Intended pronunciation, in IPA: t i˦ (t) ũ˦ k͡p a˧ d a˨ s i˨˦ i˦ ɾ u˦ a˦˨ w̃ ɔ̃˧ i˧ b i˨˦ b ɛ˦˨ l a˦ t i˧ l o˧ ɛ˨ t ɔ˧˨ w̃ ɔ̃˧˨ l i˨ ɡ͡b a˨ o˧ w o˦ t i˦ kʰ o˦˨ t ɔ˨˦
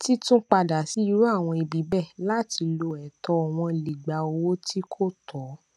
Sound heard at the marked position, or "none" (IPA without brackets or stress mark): t